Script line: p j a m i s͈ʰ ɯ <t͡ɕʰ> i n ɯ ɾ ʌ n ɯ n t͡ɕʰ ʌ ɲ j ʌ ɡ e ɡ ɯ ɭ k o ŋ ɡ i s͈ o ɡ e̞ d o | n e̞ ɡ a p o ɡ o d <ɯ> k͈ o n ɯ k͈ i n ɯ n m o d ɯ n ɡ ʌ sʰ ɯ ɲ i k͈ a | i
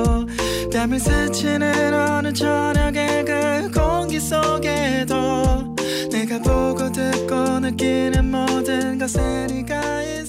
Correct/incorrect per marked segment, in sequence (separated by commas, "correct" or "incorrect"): correct, correct